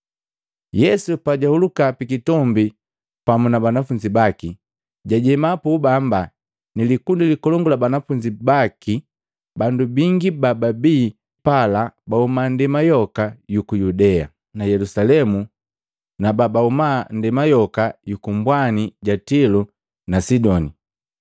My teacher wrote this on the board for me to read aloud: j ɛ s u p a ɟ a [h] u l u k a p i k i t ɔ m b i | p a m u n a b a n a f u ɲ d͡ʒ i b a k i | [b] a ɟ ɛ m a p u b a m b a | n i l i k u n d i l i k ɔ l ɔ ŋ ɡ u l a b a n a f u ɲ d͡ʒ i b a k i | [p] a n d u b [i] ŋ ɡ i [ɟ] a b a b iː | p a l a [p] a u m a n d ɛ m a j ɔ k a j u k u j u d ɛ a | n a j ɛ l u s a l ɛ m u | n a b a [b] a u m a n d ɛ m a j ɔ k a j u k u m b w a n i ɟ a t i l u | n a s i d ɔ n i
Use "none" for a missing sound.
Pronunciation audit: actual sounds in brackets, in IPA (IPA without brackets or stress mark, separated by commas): h, ɟ, b, i, b, b, b